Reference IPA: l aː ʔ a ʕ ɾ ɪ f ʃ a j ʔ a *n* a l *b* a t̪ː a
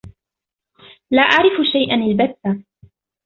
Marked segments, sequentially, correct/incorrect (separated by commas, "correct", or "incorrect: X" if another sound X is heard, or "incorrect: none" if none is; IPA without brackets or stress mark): correct, correct